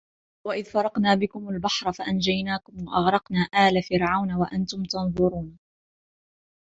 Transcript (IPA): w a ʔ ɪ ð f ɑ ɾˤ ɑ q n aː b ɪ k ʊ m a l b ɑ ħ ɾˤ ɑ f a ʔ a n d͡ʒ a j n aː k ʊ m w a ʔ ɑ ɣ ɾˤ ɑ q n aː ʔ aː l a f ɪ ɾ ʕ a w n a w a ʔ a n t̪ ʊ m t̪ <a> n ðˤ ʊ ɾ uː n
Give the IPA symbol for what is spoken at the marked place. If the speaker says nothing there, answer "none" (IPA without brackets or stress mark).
ɑ